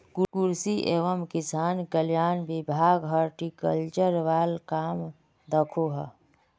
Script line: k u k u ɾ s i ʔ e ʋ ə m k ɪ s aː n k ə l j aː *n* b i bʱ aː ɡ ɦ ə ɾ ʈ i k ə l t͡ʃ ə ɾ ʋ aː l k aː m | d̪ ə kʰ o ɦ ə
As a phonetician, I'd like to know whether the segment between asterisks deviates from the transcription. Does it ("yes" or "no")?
no